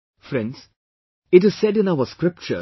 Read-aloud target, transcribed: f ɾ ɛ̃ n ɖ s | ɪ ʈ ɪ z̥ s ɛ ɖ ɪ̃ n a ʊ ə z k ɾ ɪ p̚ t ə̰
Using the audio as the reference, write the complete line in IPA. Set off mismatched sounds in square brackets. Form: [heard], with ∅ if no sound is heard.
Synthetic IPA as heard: f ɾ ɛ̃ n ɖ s | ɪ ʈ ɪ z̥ s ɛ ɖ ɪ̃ n a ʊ ə [s] k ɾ ɪ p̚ [t͡ʃ] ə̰

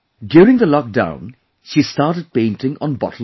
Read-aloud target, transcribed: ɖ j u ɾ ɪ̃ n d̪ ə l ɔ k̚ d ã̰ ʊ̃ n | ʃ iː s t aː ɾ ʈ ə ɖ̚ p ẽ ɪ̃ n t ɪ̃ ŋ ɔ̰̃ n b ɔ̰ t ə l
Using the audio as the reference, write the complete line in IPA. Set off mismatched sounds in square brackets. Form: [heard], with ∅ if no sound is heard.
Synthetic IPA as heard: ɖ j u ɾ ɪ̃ [ŋ] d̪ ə l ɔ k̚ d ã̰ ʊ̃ n | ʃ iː s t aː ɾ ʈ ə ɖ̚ p ẽ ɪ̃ n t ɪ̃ ŋ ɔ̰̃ n b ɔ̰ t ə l

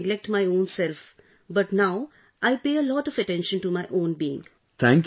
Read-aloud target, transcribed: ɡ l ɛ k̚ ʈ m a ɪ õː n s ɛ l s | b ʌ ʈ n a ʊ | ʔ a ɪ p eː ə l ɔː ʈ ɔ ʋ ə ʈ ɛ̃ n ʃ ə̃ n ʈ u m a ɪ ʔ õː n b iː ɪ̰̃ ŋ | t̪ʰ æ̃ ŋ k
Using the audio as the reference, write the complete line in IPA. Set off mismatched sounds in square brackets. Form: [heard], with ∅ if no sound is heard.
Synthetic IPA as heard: ɡ l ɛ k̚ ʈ m a ɪ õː n s ɛ l [f] | b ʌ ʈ n a ʊ | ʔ a ɪ p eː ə l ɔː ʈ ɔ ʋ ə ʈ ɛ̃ n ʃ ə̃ n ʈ u m a ɪ ʔ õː n b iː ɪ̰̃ ŋ | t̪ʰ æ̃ ŋ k

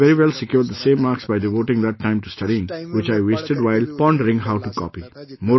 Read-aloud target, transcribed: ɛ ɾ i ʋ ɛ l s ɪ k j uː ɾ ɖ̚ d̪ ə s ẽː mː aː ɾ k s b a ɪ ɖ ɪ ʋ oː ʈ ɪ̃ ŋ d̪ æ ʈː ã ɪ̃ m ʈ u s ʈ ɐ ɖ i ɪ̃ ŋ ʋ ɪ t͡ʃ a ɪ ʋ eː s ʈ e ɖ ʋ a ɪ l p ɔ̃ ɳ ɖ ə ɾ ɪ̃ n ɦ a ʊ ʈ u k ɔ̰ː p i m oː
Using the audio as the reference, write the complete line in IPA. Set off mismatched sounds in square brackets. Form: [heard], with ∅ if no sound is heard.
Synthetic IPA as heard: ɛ ɾ i ʋ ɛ l s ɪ k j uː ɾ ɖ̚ d̪ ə s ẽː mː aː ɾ k s b a ɪ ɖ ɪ ʋ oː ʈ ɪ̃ ŋ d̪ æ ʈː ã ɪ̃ m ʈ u s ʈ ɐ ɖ i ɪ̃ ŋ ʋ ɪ t͡ʃ a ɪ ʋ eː s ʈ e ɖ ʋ a ɪ l p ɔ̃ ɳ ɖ ə ɾ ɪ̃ [ŋ] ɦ a ʊ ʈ u k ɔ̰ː p i m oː

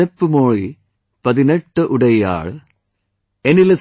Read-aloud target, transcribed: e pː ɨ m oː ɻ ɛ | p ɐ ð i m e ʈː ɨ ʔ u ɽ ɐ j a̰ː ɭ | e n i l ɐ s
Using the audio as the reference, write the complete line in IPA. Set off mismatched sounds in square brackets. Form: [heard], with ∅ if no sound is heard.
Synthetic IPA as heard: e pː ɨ m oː ɻ [i] | p ɐ ð i [n] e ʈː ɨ ʔ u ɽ ɐ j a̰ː ɭ | e n i l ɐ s

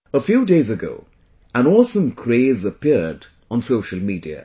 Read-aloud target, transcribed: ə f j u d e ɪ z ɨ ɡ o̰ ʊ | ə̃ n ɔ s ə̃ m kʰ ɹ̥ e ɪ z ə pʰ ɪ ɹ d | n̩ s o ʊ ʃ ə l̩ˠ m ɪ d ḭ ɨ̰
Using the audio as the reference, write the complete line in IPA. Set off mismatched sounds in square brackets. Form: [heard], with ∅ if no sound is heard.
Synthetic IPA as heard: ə f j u d e ɪ z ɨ ɡ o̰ ʊ | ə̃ n ɔ s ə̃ m kʰ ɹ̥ e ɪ z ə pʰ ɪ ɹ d | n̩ s o ʊ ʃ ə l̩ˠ m [i] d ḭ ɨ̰

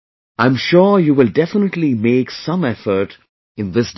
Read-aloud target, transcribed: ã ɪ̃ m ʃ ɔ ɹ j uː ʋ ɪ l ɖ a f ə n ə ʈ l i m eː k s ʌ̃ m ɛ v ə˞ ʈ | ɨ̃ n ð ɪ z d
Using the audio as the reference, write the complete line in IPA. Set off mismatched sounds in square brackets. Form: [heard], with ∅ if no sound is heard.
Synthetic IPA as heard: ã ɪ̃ m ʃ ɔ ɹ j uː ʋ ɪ l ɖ [ɛ] f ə n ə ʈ l i m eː k s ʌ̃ m ɛ [f] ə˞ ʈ | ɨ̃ n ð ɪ [s] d

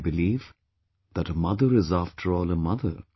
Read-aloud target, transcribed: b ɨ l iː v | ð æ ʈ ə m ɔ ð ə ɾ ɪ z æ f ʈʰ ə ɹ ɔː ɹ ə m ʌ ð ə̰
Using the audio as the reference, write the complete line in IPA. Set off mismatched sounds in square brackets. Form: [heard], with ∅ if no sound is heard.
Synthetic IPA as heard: b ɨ l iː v | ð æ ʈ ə m [ʌ] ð ə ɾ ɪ z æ f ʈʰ ə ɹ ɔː [l] ə m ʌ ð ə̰

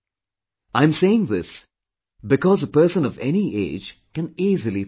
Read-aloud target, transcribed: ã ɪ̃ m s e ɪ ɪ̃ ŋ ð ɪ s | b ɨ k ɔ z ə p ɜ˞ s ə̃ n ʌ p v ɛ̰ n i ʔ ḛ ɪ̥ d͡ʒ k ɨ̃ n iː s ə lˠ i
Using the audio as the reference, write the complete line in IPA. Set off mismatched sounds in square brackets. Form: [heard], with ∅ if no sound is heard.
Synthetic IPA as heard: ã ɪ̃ m s e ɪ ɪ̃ ŋ ð ɪ s | b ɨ k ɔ z ə p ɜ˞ s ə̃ n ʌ [∅] v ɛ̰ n i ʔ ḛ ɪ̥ d͡ʒ k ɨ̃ n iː [z] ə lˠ i

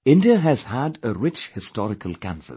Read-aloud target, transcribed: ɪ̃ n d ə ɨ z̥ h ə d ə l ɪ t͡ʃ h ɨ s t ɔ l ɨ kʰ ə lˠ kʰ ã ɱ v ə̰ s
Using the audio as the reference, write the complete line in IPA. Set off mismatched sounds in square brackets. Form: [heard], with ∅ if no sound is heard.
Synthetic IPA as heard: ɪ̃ n d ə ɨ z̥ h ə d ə [ɹ] ɪ t͡ʃ h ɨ s t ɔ [ɹ] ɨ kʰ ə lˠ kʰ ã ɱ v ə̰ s

